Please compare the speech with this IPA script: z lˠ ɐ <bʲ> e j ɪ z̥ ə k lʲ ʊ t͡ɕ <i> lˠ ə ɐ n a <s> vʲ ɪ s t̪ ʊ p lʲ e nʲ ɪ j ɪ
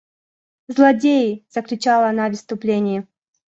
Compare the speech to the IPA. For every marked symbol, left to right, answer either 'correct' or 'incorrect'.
incorrect: dʲ, incorrect: a, incorrect: none

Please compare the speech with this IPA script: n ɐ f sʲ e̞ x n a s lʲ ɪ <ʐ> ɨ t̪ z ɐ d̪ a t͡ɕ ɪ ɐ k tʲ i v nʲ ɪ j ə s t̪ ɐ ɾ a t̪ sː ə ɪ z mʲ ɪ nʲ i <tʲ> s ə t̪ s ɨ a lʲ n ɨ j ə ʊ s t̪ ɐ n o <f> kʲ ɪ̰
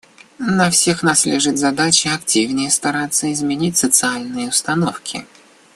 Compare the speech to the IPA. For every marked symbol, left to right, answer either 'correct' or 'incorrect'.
correct, correct, correct

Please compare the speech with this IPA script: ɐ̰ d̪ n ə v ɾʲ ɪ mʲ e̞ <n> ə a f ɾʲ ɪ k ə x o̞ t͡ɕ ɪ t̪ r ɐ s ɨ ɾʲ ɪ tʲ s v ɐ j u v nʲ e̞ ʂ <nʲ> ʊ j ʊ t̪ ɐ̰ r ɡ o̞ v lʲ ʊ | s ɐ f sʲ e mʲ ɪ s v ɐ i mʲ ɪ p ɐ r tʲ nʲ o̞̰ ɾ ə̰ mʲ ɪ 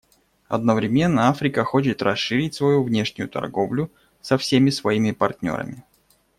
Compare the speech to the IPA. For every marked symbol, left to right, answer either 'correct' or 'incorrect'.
incorrect: nː, correct

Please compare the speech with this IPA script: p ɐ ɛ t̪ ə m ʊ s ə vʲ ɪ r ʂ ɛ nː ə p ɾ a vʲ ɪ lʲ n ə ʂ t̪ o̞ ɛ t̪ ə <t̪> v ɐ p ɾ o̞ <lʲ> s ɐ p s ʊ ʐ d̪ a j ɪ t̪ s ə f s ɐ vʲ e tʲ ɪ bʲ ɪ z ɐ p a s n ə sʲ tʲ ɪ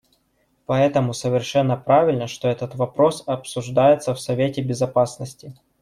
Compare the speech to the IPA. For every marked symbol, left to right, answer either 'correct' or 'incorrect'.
correct, incorrect: none

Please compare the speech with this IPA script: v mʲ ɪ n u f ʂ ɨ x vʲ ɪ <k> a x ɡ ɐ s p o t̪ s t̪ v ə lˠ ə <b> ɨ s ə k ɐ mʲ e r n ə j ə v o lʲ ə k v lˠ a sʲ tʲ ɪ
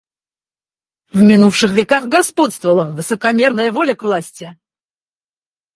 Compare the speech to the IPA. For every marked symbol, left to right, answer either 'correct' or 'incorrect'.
correct, incorrect: v

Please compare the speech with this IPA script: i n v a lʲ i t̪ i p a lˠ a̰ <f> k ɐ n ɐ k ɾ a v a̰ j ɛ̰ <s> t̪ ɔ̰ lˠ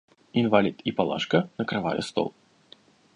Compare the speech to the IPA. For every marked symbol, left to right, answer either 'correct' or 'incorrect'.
incorrect: ʂ, correct

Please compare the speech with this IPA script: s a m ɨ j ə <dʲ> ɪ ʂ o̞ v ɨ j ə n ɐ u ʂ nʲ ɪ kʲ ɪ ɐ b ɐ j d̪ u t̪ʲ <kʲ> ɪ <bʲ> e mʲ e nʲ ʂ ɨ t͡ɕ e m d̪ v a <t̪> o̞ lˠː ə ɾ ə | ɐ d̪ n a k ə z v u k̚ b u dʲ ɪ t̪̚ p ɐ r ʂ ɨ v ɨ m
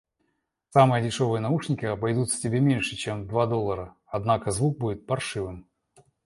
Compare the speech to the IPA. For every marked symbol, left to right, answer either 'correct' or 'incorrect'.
correct, incorrect: tʲ, correct, incorrect: d̪

